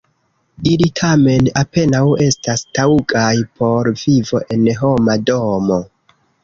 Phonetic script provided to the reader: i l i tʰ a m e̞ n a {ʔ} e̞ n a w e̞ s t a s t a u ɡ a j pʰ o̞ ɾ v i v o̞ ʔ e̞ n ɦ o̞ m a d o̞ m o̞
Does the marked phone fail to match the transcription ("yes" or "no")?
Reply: yes